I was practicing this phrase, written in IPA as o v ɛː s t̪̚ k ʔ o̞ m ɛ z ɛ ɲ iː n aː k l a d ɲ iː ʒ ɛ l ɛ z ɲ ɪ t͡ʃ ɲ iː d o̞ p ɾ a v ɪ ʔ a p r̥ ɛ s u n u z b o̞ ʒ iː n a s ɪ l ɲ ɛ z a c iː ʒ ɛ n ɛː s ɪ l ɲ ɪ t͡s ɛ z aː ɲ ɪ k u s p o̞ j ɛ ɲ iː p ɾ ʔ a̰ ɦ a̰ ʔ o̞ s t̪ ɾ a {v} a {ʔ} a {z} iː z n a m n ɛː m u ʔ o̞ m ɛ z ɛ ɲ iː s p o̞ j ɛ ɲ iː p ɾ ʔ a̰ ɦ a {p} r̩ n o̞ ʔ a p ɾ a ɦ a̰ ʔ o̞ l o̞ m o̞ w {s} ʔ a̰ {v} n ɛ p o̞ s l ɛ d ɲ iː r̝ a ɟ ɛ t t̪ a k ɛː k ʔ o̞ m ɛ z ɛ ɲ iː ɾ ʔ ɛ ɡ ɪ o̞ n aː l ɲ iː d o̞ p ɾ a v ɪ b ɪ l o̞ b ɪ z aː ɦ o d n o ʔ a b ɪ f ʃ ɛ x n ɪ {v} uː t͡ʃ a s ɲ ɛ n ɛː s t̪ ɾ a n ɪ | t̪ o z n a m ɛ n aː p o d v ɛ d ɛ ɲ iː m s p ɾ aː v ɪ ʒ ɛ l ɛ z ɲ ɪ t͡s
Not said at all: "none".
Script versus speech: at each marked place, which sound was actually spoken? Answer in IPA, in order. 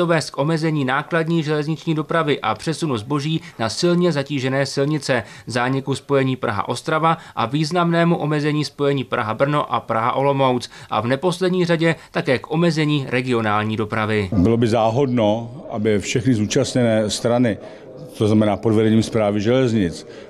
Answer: v, ʔ, v, b, t͡s, v, z

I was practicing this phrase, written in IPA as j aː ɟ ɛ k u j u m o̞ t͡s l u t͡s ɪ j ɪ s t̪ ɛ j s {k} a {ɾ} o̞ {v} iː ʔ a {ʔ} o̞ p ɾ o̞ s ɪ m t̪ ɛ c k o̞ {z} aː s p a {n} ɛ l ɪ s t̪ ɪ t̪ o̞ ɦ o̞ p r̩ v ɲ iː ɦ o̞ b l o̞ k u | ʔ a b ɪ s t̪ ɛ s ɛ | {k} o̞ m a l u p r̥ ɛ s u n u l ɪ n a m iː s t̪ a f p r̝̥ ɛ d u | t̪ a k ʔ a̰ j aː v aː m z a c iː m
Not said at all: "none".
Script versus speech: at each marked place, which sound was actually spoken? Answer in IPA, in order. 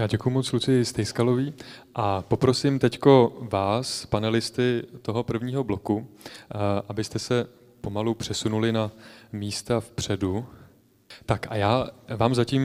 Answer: k, l, v, p, v, n, p

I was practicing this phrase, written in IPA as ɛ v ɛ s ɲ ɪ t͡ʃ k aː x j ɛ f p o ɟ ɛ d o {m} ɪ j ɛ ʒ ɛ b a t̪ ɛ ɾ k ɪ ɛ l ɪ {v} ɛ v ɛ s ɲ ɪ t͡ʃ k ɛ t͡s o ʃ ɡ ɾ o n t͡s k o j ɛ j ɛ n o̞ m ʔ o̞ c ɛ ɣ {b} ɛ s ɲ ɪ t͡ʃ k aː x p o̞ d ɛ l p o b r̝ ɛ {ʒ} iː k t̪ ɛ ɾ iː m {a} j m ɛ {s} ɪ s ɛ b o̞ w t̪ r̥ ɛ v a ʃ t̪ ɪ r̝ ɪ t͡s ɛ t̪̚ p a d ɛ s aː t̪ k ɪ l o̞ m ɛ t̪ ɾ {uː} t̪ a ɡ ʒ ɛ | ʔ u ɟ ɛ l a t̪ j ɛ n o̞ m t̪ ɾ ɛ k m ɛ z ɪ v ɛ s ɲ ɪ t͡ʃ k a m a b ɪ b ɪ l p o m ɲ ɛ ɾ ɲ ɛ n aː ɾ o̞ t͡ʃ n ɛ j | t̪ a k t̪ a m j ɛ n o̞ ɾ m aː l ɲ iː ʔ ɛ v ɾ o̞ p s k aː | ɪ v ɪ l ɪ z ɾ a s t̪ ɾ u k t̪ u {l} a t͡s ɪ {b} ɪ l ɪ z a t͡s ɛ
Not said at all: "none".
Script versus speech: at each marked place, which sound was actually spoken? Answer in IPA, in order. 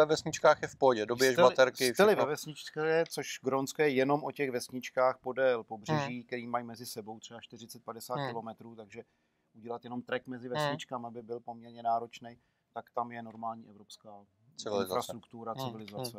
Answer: b, v, v, ʒ, a, z, uː, ɾ, v

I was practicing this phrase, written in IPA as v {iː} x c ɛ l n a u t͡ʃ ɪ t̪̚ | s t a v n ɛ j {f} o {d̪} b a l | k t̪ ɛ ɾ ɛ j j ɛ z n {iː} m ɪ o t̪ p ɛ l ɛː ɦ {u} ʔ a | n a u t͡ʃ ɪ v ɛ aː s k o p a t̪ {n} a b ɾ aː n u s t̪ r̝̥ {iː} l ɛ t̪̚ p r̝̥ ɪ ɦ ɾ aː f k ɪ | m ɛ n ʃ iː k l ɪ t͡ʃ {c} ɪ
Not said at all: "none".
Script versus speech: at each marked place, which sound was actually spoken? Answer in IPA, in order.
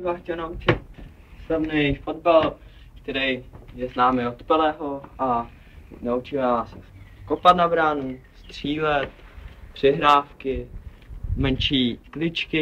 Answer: aː, f, d̪, aː, o, n, iː, k

